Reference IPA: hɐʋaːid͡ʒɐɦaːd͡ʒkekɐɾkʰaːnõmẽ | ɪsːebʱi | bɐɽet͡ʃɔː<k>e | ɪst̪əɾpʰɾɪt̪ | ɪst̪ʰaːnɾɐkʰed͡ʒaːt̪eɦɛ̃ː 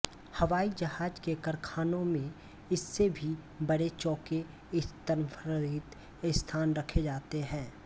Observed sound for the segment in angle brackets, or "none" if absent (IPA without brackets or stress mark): k